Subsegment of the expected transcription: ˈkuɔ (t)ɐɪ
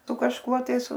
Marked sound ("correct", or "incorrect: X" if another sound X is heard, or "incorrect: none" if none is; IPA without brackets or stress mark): correct